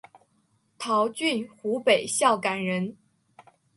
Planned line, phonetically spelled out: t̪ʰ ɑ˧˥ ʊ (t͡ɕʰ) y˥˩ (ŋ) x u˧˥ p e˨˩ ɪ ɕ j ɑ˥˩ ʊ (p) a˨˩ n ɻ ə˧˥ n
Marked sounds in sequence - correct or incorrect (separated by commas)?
incorrect, incorrect, incorrect